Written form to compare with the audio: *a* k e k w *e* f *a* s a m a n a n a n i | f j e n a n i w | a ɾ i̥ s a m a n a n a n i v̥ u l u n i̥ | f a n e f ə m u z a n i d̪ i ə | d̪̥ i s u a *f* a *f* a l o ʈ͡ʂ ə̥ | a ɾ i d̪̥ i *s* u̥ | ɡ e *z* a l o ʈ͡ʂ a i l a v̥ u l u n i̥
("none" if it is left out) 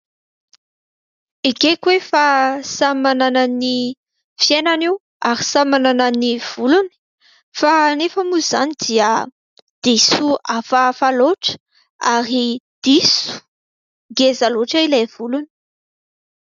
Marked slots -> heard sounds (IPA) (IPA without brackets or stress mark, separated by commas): i, e, a, f, f, s, z